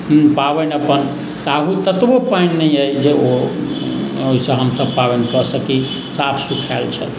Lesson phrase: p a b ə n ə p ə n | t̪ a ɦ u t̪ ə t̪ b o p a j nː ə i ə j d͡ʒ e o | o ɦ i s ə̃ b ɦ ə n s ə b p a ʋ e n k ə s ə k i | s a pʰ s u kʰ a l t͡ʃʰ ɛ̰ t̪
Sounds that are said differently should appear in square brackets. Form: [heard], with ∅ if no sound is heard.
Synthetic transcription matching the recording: p a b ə n ə p ə n | t̪ a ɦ u t̪ ə t̪ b o p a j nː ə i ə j d͡ʒ e o | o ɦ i s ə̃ [∅] ɦ ə [m] s ə b p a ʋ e n k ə s ə k i | s a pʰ s u kʰ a l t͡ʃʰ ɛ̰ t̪

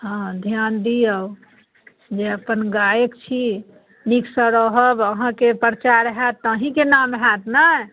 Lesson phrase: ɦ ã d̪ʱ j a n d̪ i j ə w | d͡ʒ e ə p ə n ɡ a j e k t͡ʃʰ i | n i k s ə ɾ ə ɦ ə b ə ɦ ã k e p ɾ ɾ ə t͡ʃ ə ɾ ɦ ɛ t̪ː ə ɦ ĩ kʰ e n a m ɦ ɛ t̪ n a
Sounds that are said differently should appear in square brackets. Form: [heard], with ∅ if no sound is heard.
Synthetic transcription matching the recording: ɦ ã d̪ʱ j a n d̪ i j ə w | d͡ʒ e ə p ə n ɡ a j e k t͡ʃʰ i | n i k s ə ɾ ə ɦ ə b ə ɦ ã k e p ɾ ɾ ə t͡ʃ [a] ɾ ɦ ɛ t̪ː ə ɦ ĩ [k] e n a m ɦ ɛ t̪ n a

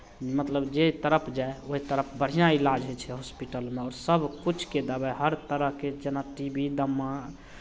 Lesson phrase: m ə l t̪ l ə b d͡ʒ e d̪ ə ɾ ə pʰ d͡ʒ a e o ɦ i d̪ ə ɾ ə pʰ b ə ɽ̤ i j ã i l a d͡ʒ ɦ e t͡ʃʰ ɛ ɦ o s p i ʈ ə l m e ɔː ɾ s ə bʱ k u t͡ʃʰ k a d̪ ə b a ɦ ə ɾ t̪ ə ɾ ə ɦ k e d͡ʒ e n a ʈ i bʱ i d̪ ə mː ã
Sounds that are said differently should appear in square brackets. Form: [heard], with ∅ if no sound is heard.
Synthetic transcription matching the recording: m ə [∅] t̪ l ə b d͡ʒ e [t̪] ə ɾ ə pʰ d͡ʒ a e o ɦ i [t̪] ə ɾ ə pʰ b ə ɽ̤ i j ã i l a d͡ʒ ɦ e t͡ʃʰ ɛ ɦ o s p i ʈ ə l m e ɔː ɾ s ə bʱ k u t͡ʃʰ k [e] d̪ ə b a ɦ ə ɾ t̪ ə ɾ ə ɦ k e d͡ʒ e n a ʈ i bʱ i d̪ ə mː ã

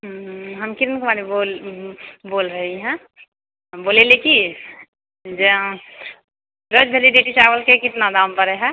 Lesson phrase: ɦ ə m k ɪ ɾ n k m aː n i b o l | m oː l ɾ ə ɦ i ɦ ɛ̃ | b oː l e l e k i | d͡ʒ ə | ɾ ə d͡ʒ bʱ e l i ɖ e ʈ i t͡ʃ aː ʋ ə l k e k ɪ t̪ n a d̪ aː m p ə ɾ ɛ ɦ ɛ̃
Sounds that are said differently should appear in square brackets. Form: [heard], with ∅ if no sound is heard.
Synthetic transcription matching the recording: ɦ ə m k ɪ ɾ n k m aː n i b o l | [b] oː l ɾ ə ɦ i ɦ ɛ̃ | b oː l e l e k i | d͡ʒ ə | ɾ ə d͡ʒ bʱ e l i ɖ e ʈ i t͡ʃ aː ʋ ə l k e k ɪ t̪ n a d̪ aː m p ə ɾ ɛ ɦ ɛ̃

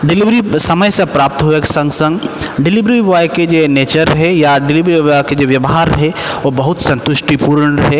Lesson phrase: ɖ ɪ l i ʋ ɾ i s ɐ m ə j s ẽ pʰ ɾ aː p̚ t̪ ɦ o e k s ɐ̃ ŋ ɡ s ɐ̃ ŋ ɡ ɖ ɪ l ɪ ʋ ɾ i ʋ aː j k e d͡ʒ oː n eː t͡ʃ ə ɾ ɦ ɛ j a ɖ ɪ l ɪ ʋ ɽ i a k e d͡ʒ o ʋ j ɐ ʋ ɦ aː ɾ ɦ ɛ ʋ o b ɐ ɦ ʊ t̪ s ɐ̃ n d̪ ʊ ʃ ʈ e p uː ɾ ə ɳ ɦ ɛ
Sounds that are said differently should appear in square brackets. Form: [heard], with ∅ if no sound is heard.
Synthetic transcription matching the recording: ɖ ɪ l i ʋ ɾ i s ɐ m ə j s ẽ [p] ɾ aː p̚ t̪ ɦ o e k s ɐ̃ ŋ ɡ s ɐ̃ ŋ ɡ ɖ ɪ l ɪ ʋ ɾ i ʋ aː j k e d͡ʒ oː n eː t͡ʃ ə ɾ ɦ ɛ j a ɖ ɪ l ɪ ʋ [ɾ] i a k e d͡ʒ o ʋ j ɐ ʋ ɦ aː ɾ ɦ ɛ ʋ o b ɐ ɦ ʊ t̪ s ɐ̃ n [t̪] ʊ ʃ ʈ [i] p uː ɾ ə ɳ ɦ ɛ

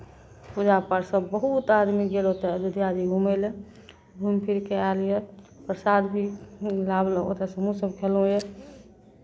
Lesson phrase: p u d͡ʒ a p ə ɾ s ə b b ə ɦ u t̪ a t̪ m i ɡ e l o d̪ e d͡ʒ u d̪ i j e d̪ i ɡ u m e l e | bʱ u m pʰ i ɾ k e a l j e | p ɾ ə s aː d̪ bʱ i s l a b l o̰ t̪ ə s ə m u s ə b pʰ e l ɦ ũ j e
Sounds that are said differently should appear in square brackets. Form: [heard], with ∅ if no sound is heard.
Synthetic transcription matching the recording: p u d͡ʒ a p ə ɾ s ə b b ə ɦ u t̪ a [d̪] m i ɡ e l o [t̪] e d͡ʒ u d̪ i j [a] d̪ i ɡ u m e l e | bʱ u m pʰ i ɾ k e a l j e | p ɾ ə s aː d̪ bʱ i [∅] l a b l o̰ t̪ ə s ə m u s ə b [kʰ] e l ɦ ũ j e

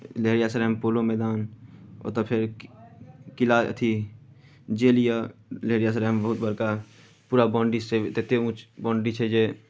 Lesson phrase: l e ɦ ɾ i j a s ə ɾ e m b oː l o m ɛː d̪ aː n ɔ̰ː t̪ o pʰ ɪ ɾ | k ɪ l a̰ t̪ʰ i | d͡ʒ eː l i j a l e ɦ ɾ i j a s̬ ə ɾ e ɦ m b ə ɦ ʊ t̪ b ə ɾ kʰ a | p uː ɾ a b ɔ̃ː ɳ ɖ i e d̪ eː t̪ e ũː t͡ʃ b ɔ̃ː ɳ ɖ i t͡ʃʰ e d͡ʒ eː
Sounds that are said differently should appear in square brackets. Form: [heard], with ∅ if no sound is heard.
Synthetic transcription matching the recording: l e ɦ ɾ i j a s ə ɾ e m [p] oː l o m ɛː d̪ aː n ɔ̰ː t̪ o pʰ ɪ ɾ | k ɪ l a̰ t̪ʰ i | d͡ʒ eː l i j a l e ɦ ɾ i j a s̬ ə ɾ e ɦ m b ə ɦ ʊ t̪ b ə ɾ [k] a | p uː ɾ a b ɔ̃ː ɳ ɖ i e [t̪] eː t̪ e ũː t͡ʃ b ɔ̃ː ɳ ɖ i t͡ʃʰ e d͡ʒ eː

